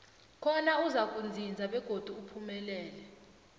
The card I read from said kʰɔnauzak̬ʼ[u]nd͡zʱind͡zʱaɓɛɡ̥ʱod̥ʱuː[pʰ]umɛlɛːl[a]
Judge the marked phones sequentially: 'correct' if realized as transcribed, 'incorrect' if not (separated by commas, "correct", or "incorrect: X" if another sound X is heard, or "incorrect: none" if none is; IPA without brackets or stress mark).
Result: correct, correct, incorrect: ɛ